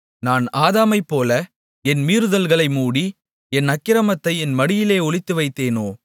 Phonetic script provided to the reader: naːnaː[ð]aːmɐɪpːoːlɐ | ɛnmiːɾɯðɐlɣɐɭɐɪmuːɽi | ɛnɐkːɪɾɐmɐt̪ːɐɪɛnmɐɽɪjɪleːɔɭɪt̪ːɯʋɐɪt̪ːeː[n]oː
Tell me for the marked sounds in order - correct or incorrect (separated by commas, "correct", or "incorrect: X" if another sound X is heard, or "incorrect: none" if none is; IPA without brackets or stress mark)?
correct, correct